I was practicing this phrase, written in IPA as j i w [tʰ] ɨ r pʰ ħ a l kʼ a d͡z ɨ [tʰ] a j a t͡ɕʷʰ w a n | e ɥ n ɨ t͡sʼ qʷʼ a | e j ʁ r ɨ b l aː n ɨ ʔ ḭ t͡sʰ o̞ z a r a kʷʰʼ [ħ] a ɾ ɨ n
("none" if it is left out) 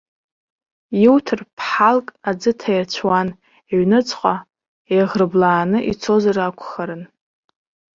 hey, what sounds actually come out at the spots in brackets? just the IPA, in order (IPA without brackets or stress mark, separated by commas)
tʰ, tʰ, χ